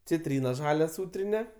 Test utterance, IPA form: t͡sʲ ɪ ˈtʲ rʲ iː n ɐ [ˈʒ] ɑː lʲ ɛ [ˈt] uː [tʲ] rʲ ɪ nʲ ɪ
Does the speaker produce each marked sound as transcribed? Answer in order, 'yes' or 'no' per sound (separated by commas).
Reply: yes, no, yes